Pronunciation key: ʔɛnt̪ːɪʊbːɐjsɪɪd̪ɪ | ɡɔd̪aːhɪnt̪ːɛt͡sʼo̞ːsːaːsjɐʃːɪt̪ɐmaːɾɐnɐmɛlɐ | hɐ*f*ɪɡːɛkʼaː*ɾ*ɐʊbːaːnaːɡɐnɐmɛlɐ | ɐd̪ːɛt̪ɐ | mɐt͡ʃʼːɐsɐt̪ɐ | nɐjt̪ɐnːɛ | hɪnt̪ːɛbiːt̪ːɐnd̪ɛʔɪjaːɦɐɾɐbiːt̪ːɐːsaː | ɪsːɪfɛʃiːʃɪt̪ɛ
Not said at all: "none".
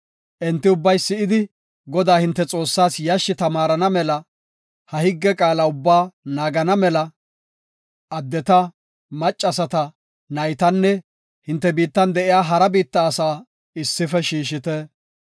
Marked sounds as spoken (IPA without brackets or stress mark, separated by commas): h, l